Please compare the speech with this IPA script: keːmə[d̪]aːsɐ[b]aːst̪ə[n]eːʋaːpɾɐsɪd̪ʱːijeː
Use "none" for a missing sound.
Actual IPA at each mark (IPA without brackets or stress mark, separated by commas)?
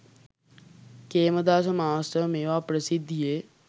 d̪, m, m